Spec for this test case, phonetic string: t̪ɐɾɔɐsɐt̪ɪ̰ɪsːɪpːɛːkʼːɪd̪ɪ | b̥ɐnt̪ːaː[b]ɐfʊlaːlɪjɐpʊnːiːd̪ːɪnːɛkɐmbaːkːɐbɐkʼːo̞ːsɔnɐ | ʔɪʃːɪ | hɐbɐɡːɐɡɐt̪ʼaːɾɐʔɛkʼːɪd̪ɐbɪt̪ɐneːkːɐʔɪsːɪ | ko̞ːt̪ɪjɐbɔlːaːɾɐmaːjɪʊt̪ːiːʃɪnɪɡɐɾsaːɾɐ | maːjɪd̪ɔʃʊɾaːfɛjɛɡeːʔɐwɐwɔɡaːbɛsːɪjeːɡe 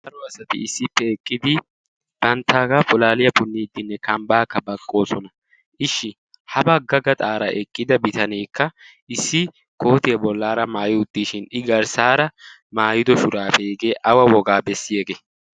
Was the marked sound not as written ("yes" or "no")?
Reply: yes